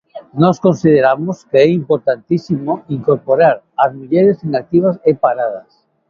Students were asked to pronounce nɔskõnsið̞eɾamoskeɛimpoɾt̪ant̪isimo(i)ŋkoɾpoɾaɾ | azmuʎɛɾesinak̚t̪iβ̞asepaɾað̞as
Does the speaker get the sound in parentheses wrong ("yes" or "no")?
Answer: no